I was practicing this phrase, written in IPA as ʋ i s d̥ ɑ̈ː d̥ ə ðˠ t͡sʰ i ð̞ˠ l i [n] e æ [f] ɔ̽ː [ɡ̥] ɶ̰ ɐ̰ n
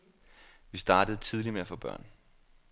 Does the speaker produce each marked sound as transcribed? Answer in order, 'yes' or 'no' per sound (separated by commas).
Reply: no, yes, no